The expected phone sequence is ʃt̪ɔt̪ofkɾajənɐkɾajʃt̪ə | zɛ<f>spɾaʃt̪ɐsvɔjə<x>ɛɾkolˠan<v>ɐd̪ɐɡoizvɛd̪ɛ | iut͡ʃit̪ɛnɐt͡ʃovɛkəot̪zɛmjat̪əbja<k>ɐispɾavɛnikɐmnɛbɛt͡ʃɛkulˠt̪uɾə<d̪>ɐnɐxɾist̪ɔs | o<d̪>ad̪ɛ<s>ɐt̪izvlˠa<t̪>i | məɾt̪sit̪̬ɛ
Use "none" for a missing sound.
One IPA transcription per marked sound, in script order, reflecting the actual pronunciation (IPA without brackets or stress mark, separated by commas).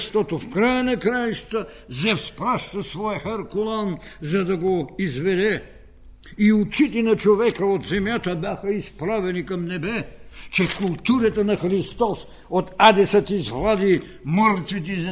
f, x, z, x, t̪, t̪, s, d̪